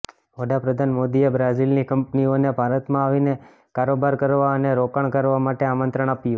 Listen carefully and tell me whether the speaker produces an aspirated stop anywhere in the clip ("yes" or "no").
no